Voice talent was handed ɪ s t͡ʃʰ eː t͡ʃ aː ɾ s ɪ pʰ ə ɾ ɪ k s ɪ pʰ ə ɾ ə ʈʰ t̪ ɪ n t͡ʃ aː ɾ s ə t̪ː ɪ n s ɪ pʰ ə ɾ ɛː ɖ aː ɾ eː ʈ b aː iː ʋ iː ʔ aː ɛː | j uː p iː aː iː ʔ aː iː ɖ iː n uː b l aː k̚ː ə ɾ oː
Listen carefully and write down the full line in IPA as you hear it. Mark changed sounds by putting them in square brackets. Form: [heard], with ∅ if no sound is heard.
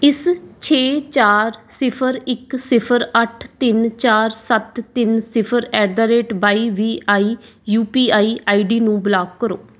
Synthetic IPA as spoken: ɪ s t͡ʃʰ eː t͡ʃ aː ɾ s ɪ pʰ ə ɾ ɪ k s ɪ pʰ ə ɾ ə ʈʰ t̪ ɪ n t͡ʃ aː ɾ s ə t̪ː ɪ n s ɪ pʰ ə ɾ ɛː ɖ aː ɾ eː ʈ b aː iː ʋ iː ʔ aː [iː] | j uː p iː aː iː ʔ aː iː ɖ iː n [ũː] b l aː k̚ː ə ɾ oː